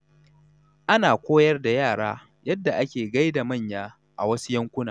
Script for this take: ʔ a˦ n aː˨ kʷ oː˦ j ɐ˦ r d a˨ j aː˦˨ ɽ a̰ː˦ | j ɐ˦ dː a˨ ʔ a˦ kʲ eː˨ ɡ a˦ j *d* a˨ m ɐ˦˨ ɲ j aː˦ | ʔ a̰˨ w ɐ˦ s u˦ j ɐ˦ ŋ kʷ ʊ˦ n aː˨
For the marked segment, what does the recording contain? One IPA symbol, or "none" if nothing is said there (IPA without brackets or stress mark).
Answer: d